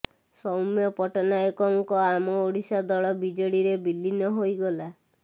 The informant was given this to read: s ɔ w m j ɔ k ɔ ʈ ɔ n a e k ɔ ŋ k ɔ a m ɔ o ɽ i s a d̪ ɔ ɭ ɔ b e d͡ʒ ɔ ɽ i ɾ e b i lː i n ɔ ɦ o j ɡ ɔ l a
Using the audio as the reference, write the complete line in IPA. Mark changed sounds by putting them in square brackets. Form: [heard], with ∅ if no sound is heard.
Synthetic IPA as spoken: s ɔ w m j ɔ [p] ɔ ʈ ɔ n a e k ɔ ŋ k ɔ a m ɔ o ɽ i s a d̪ ɔ ɭ ɔ b [i] d͡ʒ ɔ ɽ i ɾ e b i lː i n ɔ ɦ o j ɡ ɔ l a

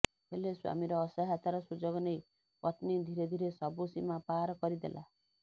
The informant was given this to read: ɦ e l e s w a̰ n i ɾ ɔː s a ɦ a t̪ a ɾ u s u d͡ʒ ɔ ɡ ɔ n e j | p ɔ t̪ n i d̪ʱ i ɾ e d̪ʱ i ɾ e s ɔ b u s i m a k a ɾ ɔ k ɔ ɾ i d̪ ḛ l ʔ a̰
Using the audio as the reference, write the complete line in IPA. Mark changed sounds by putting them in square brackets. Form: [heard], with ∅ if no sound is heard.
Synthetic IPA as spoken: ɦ e l e s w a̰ [m] i ɾ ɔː s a ɦ a t̪ a ɾ [ɔ] s u d͡ʒ ɔ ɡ ɔ n e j | p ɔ t̪ n i d̪ʱ i ɾ e d̪ʱ i ɾ e s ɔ b u s i m a [p] a ɾ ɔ k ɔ ɾ i d̪ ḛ l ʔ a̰

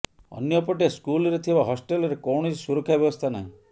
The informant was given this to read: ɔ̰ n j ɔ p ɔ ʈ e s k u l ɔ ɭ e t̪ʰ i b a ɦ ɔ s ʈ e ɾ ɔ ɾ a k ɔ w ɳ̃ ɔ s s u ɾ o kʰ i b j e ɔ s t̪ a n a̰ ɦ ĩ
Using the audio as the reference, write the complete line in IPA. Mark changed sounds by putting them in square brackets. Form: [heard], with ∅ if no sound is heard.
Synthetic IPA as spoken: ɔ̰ n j ɔ p ɔ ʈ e s k u l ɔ [ɾ] e t̪ʰ i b a ɦ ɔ s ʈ e [l] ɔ ɾ [e] k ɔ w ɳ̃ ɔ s s u ɾ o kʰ [a] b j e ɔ s [t̪ʰ] a n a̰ ɦ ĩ

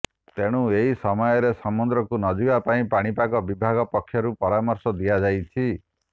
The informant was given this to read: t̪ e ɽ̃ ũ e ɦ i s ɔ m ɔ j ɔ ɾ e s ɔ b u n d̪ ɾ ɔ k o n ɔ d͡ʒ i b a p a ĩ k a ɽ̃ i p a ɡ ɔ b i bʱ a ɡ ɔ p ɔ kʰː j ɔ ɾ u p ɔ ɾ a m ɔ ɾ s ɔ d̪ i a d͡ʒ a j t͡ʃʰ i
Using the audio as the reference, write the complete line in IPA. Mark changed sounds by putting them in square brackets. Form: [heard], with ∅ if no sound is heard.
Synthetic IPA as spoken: t̪ e ɽ̃ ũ e ɦ i s ɔ m ɔ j ɔ ɾ e s ɔ [m] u n d̪ ɾ ɔ k [u] n ɔ d͡ʒ i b a p a ĩ [p] a ɽ̃ i p a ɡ ɔ b i bʱ a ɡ ɔ p ɔ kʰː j ɔ ɾ u p ɔ ɾ a m ɔ ɾ s ɔ d̪ i a d͡ʒ a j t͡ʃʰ i

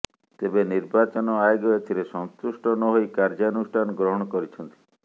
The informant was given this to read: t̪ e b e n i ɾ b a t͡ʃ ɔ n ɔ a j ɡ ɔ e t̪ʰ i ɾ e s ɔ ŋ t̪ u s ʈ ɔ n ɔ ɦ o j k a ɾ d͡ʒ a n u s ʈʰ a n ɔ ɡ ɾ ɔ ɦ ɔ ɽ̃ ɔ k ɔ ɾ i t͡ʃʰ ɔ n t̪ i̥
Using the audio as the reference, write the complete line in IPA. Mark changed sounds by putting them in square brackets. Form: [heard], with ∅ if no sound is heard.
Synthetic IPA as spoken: t̪ e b e n i ɾ b a t͡ʃ ɔ n ɔ a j ɡ ɔ e t̪ʰ i ɾ e s ɔ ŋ t̪ u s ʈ ɔ n ɔ ɦ o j k a ɾ d͡ʒ a n u s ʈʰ a n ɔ ɡ ɾ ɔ ɦ ɔ ɽ̃ ɔ k ɔ ɾ i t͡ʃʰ ɔ n t̪ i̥

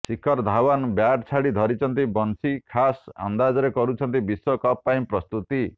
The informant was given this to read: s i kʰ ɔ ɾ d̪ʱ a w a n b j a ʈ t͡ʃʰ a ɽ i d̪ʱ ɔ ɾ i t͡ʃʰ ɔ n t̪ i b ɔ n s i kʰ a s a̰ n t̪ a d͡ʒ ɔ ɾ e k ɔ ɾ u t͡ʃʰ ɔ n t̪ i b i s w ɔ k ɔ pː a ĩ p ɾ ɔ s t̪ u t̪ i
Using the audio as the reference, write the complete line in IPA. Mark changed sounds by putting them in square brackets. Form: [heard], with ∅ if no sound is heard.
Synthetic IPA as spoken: s i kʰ ɔ ɾ d̪ʱ a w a n b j a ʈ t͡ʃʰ a ɽ i d̪ʱ ɔ ɾ i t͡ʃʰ ɔ n t̪ i b ɔ n s i kʰ a s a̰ n [d̪] a d͡ʒ ɔ ɾ e k ɔ ɾ u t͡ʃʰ ɔ n t̪ i b i s w ɔ k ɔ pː a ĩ p ɾ ɔ s t̪ u t̪ i

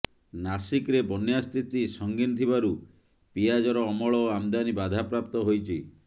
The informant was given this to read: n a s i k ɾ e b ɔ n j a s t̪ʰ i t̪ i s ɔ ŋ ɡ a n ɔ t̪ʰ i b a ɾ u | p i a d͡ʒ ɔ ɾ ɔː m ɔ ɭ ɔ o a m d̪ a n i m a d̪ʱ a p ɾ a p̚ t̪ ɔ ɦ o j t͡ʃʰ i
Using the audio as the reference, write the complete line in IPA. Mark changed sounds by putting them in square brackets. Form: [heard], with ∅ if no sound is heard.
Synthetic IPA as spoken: n a s i k ɾ e b ɔ n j a s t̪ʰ i t̪ i s ɔ ŋ ɡ [i] n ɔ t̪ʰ i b a ɾ u | p i a d͡ʒ ɔ ɾ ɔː m ɔ ɭ ɔ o a m d̪ a n i [b] a d̪ʱ a p ɾ a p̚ t̪ ɔ ɦ o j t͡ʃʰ i

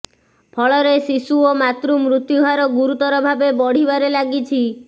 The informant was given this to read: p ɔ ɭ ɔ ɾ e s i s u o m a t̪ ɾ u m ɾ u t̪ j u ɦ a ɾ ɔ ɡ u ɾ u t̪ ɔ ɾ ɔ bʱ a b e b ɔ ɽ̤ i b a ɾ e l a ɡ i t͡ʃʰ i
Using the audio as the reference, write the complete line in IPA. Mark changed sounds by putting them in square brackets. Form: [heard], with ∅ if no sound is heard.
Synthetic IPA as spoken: [pʰ] ɔ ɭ ɔ ɾ e s i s u o m a t̪ ɾ u m ɾ u t̪ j u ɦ a ɾ ɔ ɡ u ɾ u t̪ ɔ ɾ ɔ bʱ a b e b ɔ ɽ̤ i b a ɾ e l a ɡ i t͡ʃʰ i

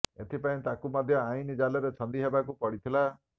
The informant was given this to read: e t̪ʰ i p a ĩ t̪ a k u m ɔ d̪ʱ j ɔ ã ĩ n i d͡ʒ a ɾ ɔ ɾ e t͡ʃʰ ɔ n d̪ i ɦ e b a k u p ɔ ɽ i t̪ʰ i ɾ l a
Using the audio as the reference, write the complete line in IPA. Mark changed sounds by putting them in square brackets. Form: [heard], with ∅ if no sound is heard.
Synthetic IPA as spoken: e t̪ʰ i p a ĩ t̪ a k u m ɔ d̪ʱ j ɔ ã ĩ n i d͡ʒ a [l] ɔ ɾ e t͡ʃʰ ɔ n d̪ i ɦ e b a k u p ɔ ɽ i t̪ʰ i [∅] l a

